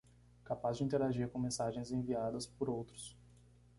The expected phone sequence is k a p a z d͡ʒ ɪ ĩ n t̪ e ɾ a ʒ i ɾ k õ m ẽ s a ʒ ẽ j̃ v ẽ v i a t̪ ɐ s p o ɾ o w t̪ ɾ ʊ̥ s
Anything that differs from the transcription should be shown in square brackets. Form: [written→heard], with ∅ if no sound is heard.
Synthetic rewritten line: k a p a z d͡ʒ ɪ ĩ n t̪ e ɾ a ʒ i ɾ k õ m ẽ s a ʒ ẽ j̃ [v→z] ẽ v i a [t̪→d̪] ɐ s p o ɾ o w t̪ ɾ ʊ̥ s